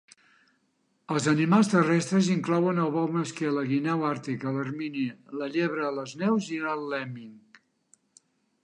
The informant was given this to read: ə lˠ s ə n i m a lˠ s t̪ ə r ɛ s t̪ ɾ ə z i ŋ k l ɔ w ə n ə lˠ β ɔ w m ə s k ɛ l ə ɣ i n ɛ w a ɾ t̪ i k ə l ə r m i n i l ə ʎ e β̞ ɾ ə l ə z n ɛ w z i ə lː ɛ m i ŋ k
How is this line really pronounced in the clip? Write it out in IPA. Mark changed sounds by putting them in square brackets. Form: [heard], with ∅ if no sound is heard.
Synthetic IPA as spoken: ə lˠ [z] ə n i m a lˠ s t̪ ə r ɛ s t̪ ɾ ə z i ŋ k l ɔ w ə n ə lˠ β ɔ w m ə s k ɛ l ə ɣ i n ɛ w a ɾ t̪ i k ə l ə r m i n i l ə ʎ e β̞ ɾ ə l ə z n ɛ w z i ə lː ɛ m i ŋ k